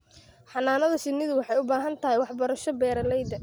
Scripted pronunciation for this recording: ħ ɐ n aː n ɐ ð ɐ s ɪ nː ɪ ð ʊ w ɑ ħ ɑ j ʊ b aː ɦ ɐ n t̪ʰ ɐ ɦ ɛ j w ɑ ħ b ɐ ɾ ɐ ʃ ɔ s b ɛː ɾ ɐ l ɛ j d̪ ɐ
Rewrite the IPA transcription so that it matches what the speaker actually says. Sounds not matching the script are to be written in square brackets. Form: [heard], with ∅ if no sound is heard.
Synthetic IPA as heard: ħ [ɑ] n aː n ɐ ð ɐ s ɪ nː ɪ ð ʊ w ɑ ħ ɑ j ʊ b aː ɦ ɐ n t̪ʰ ɐ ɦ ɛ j w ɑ ħ b ɐ ɾ ɐ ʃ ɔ [∅] b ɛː ɾ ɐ l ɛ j d̪ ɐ